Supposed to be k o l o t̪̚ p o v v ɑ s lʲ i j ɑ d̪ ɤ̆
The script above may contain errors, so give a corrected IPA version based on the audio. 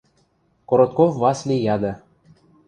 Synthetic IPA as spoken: k o ɾ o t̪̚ k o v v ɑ s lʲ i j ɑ d̪ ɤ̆